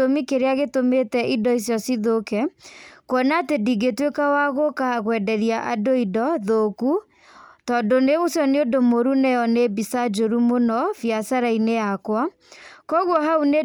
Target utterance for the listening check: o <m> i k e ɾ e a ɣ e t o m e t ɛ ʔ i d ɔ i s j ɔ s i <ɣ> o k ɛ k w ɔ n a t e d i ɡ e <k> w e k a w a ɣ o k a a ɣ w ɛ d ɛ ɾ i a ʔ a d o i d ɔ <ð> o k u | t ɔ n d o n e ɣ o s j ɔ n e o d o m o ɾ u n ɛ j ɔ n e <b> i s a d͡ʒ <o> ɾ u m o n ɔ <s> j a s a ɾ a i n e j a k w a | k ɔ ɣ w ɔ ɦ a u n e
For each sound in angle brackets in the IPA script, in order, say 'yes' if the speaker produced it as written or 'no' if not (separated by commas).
yes, no, no, yes, yes, yes, no